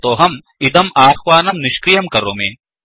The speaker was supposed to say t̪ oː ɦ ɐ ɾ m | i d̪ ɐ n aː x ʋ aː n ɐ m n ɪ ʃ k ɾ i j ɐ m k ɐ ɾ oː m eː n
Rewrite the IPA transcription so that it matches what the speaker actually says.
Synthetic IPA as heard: t̪ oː ɦ ɐ m | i d̪ ɐ m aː x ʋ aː n ɐ m n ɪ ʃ k ɾ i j ɐ m k ɐ ɾ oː m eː n